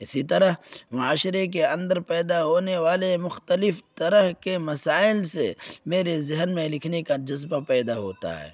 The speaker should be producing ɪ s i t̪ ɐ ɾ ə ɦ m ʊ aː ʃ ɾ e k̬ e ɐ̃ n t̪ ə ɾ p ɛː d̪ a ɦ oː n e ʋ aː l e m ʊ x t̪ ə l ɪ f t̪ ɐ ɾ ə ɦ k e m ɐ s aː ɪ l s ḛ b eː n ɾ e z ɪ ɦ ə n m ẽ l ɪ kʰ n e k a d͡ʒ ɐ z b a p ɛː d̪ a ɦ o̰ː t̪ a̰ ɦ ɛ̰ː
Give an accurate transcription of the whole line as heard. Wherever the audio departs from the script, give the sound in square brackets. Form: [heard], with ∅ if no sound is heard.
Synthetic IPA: ɪ s i t̪ ɐ ɾ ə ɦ m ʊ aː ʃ ɾ e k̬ e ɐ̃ n [d̪] ə ɾ p ɛː d̪ a ɦ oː n e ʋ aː l e m ʊ x t̪ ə l ɪ f t̪ ɐ ɾ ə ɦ k e m ɐ s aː ɪ l s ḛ [m] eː [∅] ɾ e z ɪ ɦ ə n m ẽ l ɪ kʰ n e k a d͡ʒ ɐ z b a p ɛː d̪ a ɦ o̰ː t̪ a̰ ɦ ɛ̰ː

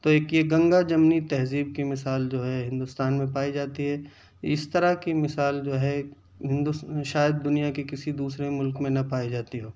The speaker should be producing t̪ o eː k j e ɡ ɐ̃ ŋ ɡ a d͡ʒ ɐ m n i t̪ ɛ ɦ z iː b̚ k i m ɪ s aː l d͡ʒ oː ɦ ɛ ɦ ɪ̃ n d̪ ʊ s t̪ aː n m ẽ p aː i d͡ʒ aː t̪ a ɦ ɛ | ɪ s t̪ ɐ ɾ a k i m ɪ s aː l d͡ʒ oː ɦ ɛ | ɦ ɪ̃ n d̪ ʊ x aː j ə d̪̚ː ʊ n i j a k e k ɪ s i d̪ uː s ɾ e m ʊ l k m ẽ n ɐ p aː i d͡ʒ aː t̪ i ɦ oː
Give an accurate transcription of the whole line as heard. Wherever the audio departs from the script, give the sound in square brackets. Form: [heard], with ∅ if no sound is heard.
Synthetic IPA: t̪ o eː k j e ɡ ɐ̃ ŋ ɡ a d͡ʒ ɐ m n i t̪ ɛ ɦ z iː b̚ k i m ɪ s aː l d͡ʒ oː ɦ ɛ ɦ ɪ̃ n d̪ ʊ s t̪ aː n m ẽ p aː i d͡ʒ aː t̪ [i] ɦ ɛ | ɪ s t̪ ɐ ɾ a k i m ɪ s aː l d͡ʒ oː ɦ ɛ | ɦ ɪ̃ n d̪ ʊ [ʃ] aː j ə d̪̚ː ʊ n i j a k e k ɪ s i d̪ uː s ɾ e m ʊ l k m ẽ n ɐ p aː i d͡ʒ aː t̪ i ɦ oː

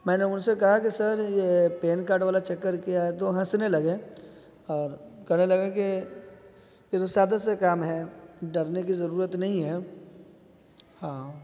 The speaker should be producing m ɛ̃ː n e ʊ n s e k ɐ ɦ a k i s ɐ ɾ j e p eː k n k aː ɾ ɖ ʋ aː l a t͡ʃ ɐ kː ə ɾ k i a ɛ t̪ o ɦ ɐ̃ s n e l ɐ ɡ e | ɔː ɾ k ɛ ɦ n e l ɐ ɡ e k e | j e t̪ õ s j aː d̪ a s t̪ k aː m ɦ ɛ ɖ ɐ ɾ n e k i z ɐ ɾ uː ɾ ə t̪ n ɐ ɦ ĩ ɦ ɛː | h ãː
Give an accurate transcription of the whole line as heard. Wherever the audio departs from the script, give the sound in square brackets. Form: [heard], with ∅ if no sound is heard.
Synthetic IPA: m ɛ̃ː n e ʊ n s e k ɐ ɦ a k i s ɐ ɾ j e p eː [∅] n k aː ɾ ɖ ʋ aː l a t͡ʃ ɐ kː ə ɾ k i a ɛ t̪ o ɦ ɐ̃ s n e l ɐ ɡ e | ɔː ɾ k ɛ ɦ n e l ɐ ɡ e k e | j e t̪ [o] s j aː d̪ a s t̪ k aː m ɦ ɛ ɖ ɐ ɾ n e k i z ɐ ɾ uː ɾ ə t̪ n ɐ ɦ ĩ ɦ ɛː | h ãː

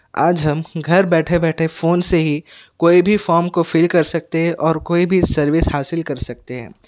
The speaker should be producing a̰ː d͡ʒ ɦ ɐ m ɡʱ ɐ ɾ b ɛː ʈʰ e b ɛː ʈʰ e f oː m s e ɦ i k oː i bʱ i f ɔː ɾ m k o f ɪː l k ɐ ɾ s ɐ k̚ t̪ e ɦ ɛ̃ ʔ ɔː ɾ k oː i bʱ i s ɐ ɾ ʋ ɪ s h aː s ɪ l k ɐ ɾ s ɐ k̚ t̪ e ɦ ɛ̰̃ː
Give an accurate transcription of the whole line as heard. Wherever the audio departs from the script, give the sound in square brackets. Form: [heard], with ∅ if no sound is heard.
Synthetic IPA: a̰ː d͡ʒ ɦ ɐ m ɡʱ ɐ ɾ b ɛː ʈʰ e b ɛː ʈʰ e f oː [n] s e ɦ i k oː i bʱ i f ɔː ɾ m k o f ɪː l k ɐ ɾ s ɐ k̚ t̪ e ɦ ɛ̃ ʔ ɔː ɾ k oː i bʱ i s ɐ ɾ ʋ ɪ s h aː s ɪ l k ɐ ɾ s ɐ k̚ t̪ e ɦ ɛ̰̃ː

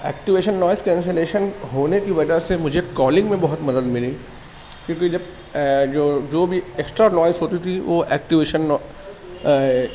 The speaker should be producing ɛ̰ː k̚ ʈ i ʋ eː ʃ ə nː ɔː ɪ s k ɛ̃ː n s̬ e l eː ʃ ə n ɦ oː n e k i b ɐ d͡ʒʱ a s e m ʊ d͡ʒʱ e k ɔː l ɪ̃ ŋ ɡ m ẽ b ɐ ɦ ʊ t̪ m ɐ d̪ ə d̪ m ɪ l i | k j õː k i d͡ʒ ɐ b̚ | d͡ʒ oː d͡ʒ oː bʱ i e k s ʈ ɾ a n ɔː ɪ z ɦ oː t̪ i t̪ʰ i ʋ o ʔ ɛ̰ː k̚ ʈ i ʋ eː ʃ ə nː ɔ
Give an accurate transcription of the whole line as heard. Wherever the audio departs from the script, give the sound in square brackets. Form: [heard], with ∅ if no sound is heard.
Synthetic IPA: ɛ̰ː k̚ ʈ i ʋ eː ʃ ə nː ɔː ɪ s k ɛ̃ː n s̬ e l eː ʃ ə n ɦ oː n e k i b ɐ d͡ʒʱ a s e m ʊ d͡ʒʱ e k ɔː l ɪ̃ ŋ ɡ m ẽ b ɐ ɦ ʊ t̪ m ɐ d̪ ə d̪ m ɪ l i | k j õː k i d͡ʒ ɐ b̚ | d͡ʒ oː d͡ʒ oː bʱ i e k s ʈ ɾ a n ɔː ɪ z ɦ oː t̪ i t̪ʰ i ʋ o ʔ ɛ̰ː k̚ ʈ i ʋ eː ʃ ə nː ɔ

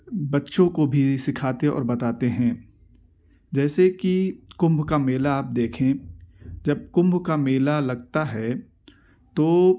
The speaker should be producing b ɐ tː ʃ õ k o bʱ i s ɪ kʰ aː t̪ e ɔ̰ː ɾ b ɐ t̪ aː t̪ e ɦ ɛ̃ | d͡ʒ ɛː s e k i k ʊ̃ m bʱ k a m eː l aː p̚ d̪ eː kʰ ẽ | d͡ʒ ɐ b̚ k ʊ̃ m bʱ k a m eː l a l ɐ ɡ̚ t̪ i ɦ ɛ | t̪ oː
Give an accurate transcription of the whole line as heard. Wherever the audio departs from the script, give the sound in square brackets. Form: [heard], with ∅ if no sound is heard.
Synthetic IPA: b ɐ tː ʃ õ k o bʱ i s ɪ kʰ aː t̪ e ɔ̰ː ɾ b ɐ t̪ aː t̪ e ɦ ɛ̃ | d͡ʒ ɛː s e k i k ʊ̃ m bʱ k a m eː l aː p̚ d̪ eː kʰ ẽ | d͡ʒ ɐ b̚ k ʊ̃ m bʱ k a m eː l a l ɐ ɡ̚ t̪ [a] ɦ ɛ | t̪ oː

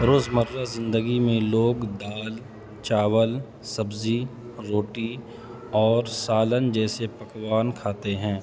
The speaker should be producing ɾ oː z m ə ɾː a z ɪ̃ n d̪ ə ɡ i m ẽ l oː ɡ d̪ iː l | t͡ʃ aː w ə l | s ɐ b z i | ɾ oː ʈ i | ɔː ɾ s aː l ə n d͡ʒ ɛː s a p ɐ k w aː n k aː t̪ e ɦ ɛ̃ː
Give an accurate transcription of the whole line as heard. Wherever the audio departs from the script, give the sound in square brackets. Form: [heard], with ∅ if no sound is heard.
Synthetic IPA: ɾ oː z m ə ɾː a z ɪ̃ n d̪ ə ɡ i m ẽ l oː ɡ d̪ [aː] l | t͡ʃ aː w ə l | s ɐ b z i | ɾ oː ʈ i | ɔː ɾ s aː l ə n d͡ʒ ɛː s [e] p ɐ k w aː n [kʰ] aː t̪ e ɦ ɛ̃ː

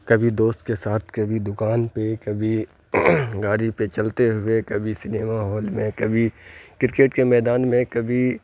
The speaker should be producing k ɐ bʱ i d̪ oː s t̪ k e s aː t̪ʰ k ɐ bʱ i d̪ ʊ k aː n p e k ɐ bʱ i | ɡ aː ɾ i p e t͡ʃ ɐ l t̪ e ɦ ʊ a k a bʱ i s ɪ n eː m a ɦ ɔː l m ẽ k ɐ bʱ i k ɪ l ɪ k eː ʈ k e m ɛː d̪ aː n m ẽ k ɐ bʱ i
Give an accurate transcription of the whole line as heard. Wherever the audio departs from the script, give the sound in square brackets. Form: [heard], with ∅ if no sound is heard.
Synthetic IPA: k ɐ bʱ i d̪ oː s t̪ k e s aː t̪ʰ k ɐ bʱ i d̪ ʊ k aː n p e k ɐ bʱ i | ɡ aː ɾ i p e t͡ʃ ɐ l t̪ e ɦ ʊ [e] k [ɐ] bʱ i s ɪ n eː m a ɦ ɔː l m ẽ k ɐ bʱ i k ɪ [ɾ] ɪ k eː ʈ k e m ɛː d̪ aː n m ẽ k ɐ bʱ i

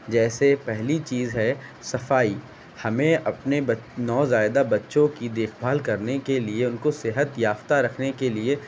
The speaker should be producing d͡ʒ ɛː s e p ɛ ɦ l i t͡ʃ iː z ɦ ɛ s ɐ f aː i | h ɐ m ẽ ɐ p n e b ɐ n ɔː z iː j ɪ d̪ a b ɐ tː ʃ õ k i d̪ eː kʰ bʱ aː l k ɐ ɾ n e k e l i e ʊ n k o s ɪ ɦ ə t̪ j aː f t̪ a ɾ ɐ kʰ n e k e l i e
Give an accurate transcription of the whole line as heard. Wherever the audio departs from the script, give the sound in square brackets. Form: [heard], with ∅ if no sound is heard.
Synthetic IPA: d͡ʒ ɛː s e p ɛ ɦ l i t͡ʃ iː z ɦ ɛ s ɐ f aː i | h ɐ m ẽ ɐ p n e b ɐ n ɔː z [aː] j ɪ d̪ a b ɐ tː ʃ õ k i d̪ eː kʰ bʱ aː l k ɐ ɾ n e k e l i e ʊ n k o s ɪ ɦ ə t̪ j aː f t̪ a ɾ ɐ kʰ n e k e l i e

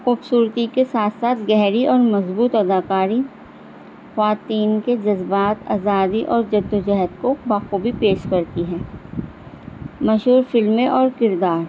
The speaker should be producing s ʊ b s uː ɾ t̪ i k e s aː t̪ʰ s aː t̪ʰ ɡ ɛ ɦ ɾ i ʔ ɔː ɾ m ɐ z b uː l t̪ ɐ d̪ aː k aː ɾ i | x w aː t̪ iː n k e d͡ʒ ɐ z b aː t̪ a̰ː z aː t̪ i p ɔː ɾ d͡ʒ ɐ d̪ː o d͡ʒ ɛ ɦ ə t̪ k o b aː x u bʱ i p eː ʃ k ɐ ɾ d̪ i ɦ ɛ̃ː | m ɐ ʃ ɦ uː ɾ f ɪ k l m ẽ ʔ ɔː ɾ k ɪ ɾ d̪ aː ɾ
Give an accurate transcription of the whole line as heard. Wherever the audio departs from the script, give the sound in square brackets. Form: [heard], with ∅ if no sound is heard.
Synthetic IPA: [x] ʊ b s uː ɾ t̪ i k e s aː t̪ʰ s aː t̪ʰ ɡ ɛ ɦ ɾ i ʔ ɔː ɾ m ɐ z b uː [∅] t̪ ɐ d̪ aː k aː ɾ i | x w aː t̪ iː n k e d͡ʒ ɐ z b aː t̪ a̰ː z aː [d̪] i [ʔ] ɔː ɾ d͡ʒ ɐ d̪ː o d͡ʒ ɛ ɦ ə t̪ k o b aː x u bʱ i p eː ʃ k ɐ ɾ [t̪] i ɦ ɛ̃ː | m ɐ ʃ ɦ uː ɾ f ɪ [∅] l m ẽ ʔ ɔː ɾ k ɪ ɾ d̪ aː ɾ

